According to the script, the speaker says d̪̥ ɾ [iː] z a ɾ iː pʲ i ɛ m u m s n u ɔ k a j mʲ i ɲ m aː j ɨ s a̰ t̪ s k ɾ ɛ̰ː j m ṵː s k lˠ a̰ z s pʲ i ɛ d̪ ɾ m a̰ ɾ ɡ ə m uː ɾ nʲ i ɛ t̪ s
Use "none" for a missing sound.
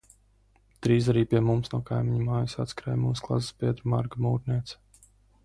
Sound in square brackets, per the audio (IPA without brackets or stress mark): iː